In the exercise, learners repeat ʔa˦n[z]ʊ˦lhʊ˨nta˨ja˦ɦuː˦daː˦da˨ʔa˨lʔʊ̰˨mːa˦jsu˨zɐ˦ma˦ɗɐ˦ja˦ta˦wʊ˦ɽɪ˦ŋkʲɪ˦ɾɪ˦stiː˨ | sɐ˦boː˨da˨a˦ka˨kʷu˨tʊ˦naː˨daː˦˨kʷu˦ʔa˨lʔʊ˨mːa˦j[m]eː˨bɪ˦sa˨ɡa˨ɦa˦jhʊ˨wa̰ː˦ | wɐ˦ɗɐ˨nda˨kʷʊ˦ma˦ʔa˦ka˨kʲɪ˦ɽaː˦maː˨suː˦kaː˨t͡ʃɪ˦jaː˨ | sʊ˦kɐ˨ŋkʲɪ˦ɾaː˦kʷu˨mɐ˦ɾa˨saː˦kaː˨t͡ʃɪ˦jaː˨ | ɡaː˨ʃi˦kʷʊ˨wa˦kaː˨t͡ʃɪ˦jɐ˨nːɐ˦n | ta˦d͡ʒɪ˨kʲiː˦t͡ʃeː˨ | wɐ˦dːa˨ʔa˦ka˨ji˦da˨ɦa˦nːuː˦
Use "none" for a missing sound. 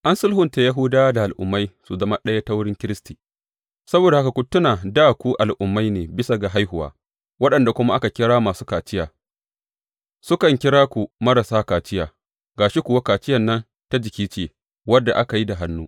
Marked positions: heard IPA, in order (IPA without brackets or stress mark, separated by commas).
s, n